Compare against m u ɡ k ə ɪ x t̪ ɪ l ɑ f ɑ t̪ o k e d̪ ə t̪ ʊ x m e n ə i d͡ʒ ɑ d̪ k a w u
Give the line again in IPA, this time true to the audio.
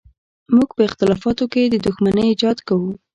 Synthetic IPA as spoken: m u ɡ p ə ɪ x t̪ ɪ l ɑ f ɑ t̪ o k e d̪ ə d̪ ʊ x m a n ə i d͡ʒ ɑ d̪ k a w u